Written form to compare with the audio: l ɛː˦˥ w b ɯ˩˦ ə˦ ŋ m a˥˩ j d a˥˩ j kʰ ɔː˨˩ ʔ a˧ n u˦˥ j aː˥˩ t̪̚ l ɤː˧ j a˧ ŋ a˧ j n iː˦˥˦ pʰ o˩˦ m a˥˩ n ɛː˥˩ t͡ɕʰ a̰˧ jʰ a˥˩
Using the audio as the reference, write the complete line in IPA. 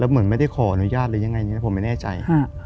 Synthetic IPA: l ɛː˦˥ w m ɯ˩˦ ə˦ n m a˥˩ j d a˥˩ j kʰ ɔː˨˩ ʔ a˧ n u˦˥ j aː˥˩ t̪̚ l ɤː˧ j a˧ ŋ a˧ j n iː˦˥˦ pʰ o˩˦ m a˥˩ n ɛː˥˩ t͡ɕ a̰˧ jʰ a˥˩